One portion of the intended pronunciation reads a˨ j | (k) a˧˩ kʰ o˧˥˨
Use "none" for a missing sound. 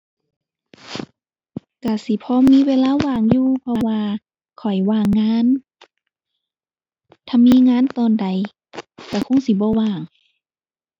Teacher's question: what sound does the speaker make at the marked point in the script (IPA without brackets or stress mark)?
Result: k